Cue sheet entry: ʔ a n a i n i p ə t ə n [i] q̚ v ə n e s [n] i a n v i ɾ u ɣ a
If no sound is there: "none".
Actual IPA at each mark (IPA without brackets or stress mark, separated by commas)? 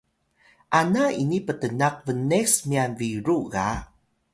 a, m